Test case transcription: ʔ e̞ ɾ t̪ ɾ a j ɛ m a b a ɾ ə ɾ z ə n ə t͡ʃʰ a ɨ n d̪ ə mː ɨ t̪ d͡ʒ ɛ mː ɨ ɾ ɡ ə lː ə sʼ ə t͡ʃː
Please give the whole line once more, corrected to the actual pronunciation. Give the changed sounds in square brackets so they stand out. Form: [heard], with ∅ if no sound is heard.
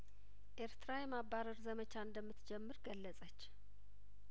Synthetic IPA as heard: ʔ e̞ ɾ t̪ ɾ a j ɛ m a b a ɾ ə ɾ z ə [m] ə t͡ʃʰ a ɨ n d̪ ə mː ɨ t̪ d͡ʒ ɛ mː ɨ ɾ ɡ ə lː ə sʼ ə t͡ʃː